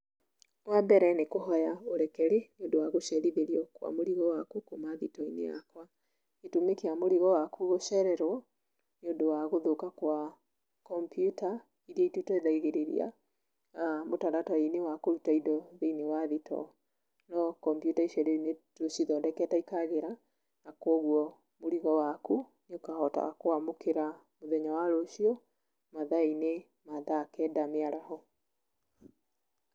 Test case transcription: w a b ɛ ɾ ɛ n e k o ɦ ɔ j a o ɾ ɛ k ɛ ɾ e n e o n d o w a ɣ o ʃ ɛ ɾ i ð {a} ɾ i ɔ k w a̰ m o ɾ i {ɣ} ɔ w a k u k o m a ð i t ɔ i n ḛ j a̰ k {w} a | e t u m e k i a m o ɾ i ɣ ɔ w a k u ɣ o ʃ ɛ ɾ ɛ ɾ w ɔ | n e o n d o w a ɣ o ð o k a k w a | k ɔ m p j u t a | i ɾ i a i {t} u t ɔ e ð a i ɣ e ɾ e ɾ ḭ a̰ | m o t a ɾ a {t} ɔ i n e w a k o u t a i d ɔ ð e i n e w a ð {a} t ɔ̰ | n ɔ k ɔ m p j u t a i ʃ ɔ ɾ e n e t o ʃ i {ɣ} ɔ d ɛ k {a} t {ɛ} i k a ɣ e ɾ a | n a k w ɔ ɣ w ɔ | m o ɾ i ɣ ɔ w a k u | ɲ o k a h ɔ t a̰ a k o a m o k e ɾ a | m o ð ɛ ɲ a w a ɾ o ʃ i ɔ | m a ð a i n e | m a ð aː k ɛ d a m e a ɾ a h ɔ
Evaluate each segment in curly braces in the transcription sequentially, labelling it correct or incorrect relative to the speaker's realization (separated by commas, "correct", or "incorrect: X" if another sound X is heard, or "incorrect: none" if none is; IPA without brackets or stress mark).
incorrect: e, correct, correct, correct, correct, incorrect: i, incorrect: ð, incorrect: ɛ, incorrect: a